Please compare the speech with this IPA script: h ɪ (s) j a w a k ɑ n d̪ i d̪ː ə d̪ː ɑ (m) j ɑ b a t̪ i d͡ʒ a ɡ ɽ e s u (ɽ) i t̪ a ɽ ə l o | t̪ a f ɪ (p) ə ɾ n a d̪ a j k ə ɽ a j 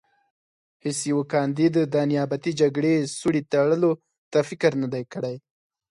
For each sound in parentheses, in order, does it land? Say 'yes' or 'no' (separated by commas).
yes, no, yes, no